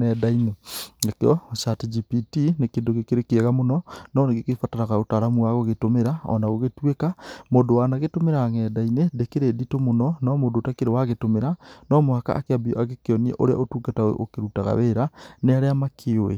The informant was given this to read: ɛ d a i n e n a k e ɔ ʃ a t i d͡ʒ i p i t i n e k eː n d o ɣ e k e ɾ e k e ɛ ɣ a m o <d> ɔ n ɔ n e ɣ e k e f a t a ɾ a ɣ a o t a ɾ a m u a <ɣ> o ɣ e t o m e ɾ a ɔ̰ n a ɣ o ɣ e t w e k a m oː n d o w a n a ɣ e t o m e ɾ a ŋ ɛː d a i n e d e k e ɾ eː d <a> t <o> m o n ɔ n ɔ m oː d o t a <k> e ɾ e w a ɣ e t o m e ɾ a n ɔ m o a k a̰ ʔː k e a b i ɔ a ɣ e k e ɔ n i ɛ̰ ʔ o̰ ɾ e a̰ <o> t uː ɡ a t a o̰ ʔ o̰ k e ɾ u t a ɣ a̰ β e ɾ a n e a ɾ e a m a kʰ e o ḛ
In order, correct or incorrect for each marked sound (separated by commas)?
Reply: incorrect, correct, incorrect, correct, correct, correct